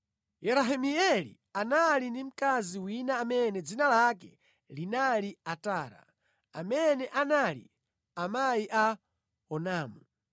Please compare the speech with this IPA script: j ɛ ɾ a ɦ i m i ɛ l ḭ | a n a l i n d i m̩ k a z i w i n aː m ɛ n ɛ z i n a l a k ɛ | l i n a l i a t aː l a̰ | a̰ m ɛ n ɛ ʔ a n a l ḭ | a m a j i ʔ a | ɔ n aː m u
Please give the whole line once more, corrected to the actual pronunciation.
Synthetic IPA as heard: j ɛ ɾ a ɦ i m i ɛ l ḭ | a n a l i n d i m̩ k a z i w i n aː m ɛ n ɛ d͡z i n a l a k ɛ | l i n a l i a t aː ɾ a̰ | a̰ m ɛ n ɛ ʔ a n a l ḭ | a m a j i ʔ a | ɔ n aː m u